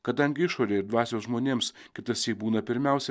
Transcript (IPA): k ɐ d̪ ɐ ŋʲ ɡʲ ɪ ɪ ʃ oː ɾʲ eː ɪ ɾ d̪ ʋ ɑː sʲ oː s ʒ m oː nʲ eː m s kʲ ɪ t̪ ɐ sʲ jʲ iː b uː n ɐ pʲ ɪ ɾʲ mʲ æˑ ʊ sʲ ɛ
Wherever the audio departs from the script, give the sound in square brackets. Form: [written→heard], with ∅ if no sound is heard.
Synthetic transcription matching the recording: k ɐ d̪ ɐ ŋʲ ɡʲ ɪ ɪ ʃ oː ɾʲ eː ɪ ɾ d̪ ʋ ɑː sʲ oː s ʒ m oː nʲ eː m s kʲ ɪ t̪ ɐ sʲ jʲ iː b uː n ɐ pʲ ɪ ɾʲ mʲ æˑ ʊ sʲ ɛ

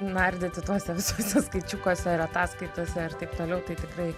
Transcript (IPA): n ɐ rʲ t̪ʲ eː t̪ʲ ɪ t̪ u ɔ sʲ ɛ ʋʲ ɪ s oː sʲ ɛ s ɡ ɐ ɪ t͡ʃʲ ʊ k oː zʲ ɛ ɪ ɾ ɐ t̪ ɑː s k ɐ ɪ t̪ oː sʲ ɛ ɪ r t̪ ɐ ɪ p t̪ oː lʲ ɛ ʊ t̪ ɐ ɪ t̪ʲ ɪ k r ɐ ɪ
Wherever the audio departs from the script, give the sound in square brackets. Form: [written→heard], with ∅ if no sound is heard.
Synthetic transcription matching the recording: n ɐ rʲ [t̪ʲ→d̪ʲ] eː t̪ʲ ɪ t̪ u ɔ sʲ ɛ ʋʲ ɪ s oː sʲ ɛ s [ɡ→k] ɐ ɪ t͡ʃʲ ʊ k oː [zʲ→sʲ] ɛ ɪ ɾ ɐ t̪ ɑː s k ɐ ɪ t̪ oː sʲ ɛ ɪ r t̪ ɐ ɪ p t̪ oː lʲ ɛ ʊ t̪ ɐ ɪ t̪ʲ ɪ k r ɐ ɪ

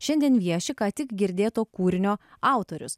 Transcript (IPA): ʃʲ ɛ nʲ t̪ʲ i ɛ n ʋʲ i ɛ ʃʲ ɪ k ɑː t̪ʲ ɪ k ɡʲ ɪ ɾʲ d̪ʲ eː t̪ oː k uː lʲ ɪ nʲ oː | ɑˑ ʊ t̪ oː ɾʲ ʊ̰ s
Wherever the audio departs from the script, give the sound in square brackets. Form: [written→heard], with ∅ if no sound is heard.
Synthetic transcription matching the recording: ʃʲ ɛ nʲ [t̪ʲ→d̪ʲ] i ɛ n ʋʲ i ɛ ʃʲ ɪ k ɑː t̪ʲ ɪ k ɡʲ ɪ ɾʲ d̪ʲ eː t̪ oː k uː [lʲ→ɾʲ] ɪ nʲ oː | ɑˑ ʊ t̪ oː ɾʲ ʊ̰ s

